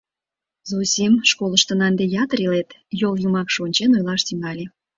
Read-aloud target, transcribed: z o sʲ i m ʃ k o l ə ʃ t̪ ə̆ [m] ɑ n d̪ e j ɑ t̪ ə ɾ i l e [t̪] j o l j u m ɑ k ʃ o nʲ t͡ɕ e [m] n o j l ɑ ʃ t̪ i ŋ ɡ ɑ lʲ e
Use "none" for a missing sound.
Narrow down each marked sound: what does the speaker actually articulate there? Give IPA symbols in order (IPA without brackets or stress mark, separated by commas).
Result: n, t̪, none